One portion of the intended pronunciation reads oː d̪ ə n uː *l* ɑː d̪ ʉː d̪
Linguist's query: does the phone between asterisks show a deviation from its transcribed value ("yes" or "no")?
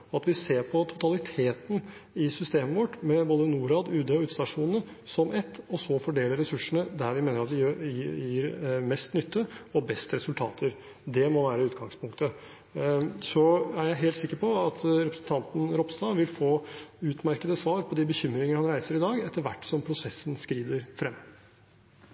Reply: yes